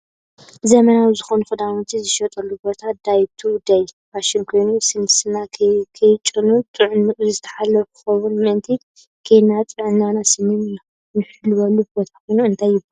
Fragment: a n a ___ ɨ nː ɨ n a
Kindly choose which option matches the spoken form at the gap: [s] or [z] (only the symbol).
s